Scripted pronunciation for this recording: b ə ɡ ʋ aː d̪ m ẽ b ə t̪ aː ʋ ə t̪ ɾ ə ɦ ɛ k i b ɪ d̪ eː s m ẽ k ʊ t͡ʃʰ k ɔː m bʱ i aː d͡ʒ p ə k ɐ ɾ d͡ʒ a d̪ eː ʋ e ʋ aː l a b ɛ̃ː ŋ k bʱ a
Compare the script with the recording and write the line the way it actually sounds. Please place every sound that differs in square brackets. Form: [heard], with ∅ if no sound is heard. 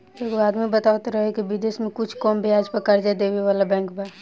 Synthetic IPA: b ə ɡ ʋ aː d̪ m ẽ b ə t̪ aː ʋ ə t̪ ɾ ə ɦ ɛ k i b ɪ d̪ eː s m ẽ k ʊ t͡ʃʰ k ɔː m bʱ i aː d͡ʒ p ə k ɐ ɾ d͡ʒ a d̪ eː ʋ e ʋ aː l a b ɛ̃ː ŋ k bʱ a